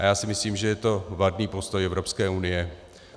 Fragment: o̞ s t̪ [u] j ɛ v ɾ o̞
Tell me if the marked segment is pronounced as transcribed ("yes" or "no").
no